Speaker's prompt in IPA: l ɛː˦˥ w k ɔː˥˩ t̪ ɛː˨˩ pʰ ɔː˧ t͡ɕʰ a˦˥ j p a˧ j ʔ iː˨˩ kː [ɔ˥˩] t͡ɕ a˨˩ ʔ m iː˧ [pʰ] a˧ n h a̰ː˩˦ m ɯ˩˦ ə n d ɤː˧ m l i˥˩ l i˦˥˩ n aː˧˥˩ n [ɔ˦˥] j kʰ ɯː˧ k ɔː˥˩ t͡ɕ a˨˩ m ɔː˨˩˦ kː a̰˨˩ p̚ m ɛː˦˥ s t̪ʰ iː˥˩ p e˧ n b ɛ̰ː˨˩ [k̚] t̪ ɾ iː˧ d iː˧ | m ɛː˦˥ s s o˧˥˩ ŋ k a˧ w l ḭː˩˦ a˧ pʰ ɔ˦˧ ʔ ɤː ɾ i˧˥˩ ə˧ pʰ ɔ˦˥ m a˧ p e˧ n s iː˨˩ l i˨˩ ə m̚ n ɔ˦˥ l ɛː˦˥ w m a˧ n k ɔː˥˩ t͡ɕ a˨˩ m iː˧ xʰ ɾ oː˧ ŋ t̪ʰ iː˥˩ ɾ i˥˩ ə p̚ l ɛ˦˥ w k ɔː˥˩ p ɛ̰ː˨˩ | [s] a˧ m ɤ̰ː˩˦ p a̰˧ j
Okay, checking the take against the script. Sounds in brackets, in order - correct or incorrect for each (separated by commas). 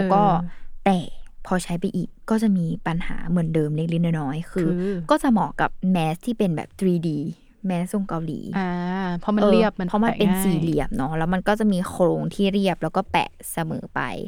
incorrect, incorrect, incorrect, incorrect, correct